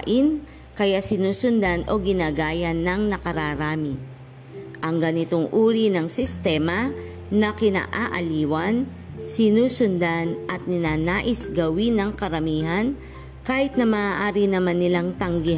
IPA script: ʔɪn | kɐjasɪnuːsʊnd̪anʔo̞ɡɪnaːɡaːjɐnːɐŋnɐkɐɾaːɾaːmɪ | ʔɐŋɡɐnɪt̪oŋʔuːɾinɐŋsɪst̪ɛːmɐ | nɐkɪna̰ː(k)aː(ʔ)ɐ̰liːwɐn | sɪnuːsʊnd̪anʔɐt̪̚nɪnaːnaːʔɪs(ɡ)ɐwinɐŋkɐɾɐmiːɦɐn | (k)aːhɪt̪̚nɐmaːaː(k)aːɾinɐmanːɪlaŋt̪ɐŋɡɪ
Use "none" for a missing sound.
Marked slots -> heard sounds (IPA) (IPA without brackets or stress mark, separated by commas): ʔ, ʔ, ɡ, k, ʔ